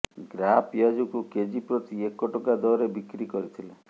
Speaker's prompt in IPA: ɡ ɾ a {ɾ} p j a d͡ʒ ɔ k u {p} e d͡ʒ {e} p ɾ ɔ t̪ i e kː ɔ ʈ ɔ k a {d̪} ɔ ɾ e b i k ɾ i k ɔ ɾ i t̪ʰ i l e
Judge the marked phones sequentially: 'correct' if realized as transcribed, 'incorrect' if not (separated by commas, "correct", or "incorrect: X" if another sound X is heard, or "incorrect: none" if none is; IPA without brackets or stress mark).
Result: incorrect: none, incorrect: k, incorrect: i, correct